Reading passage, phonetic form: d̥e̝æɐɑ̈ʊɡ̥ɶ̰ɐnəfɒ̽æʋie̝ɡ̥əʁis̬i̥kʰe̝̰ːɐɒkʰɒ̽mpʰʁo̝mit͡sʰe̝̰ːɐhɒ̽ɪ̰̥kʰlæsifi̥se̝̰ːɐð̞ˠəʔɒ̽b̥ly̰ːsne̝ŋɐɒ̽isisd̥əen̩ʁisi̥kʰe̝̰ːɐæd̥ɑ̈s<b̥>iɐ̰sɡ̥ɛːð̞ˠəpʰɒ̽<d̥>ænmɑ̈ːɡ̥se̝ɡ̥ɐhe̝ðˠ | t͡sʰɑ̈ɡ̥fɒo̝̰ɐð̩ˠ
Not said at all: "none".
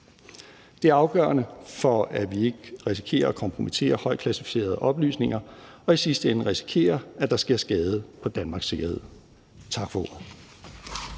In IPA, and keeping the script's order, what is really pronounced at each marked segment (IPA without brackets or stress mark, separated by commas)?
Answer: ɡ̥, d̥